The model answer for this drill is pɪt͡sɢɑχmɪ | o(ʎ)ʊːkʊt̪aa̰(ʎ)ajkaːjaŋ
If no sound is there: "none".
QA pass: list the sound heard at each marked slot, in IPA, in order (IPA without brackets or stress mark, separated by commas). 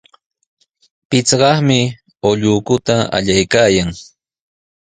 ʎ, ʎ